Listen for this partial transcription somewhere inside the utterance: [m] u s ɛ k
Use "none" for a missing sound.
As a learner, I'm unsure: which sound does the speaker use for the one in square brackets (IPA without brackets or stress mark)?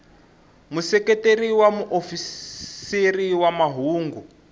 m